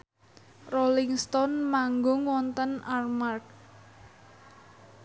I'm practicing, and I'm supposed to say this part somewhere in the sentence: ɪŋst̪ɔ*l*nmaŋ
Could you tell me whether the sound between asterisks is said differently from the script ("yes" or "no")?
yes